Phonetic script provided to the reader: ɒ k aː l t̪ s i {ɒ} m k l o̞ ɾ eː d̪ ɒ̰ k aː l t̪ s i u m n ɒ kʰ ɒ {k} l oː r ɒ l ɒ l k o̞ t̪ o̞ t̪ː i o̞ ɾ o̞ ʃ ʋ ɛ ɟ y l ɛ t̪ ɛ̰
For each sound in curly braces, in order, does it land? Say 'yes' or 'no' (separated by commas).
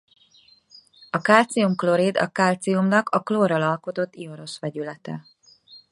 no, yes